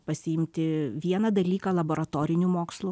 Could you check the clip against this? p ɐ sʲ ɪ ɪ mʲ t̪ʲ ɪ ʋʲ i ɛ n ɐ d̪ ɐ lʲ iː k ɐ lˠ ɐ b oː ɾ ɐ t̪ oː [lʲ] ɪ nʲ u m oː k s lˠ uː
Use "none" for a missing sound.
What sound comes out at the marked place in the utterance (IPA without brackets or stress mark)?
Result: ɾʲ